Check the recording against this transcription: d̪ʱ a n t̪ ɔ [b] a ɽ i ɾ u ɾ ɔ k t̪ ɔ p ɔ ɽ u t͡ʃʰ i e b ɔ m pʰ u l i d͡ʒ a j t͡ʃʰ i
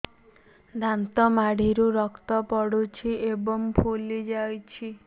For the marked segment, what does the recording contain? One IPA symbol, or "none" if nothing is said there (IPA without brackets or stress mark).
m